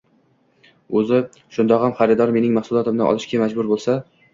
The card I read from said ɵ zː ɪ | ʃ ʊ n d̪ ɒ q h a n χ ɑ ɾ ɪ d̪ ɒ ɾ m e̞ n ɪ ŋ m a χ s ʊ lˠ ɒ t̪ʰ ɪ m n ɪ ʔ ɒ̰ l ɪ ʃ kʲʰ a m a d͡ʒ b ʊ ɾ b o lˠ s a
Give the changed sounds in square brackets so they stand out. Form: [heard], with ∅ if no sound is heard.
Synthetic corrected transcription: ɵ [z] ɪ | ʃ ʊ n d̪ ɒ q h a [m] χ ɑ ɾ ɪ d̪ ɒ ɾ m e̞ n ɪ ŋ m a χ s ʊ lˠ ɒ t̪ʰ ɪ m n ɪ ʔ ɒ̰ l ɪ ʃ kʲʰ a m a d͡ʒ b ʊ ɾ b o lˠ s a